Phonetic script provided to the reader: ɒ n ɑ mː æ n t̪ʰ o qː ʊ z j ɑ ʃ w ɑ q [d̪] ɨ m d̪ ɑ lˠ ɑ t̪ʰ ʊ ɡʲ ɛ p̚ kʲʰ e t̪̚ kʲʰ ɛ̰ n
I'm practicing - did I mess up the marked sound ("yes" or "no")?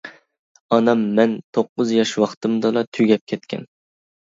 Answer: yes